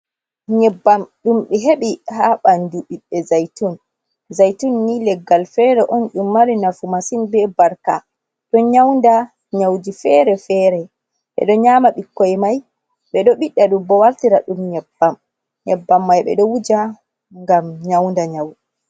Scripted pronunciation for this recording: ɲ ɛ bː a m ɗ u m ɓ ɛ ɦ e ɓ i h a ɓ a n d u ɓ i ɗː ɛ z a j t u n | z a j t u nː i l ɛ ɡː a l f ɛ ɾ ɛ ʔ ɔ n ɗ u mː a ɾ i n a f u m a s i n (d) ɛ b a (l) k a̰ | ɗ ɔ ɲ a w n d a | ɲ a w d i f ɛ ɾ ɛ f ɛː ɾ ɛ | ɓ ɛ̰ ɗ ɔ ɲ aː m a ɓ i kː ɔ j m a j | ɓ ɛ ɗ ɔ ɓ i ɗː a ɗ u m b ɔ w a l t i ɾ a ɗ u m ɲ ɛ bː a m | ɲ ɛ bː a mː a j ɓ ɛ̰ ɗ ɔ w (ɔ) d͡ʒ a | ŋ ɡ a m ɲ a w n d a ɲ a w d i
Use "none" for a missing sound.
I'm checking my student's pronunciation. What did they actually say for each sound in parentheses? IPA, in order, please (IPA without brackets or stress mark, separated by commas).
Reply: b, ɾ, u